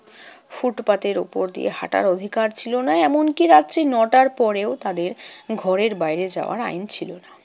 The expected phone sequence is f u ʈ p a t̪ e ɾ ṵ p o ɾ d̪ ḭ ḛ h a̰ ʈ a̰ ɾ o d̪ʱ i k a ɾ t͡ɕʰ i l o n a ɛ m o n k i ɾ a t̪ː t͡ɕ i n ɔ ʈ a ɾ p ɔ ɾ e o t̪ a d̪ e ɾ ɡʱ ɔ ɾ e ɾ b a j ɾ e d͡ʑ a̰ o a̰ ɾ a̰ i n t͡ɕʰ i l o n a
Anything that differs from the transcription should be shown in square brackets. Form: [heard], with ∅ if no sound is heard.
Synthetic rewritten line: f u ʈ p a t̪ e ɾ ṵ p o ɾ d̪ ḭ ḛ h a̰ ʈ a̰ ɾ o d̪ʱ i k a ɾ t͡ɕʰ i l o n a ɛ m o n k i ɾ a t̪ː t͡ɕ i n ɔ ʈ a ɾ p ɔ ɾ e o t̪ a d̪ e ɾ ɡʱ ɔ ɾ e ɾ b a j ɾ e d͡ʑ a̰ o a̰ ɾ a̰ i n t͡ɕʰ i l o n a